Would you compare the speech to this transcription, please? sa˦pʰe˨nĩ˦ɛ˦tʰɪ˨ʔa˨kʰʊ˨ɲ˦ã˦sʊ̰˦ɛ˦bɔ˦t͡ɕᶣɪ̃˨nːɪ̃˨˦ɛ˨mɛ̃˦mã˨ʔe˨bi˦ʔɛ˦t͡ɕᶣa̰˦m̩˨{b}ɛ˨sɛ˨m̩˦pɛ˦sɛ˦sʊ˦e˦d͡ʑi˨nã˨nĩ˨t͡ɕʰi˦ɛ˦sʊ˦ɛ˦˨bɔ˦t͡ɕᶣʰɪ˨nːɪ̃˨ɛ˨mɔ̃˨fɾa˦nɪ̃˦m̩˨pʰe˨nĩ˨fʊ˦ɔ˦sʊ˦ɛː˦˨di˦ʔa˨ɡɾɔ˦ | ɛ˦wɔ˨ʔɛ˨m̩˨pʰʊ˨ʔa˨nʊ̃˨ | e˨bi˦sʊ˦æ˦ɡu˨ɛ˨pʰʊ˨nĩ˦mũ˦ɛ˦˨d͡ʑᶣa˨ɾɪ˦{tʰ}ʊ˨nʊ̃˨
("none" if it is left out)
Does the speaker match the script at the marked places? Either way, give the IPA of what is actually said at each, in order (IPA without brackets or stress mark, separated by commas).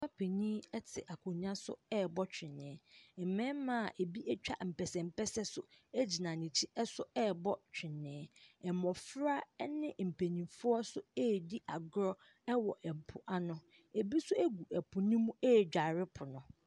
p, pʰ